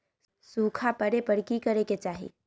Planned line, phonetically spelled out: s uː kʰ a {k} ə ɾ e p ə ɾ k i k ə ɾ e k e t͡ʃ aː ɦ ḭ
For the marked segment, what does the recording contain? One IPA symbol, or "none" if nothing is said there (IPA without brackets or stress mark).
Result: p